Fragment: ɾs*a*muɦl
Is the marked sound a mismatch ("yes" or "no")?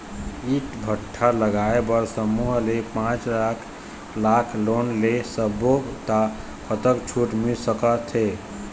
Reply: yes